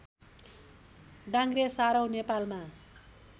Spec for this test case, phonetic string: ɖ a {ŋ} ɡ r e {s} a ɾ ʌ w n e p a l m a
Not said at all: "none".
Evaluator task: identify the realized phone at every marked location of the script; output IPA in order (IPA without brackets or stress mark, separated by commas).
ŋ, s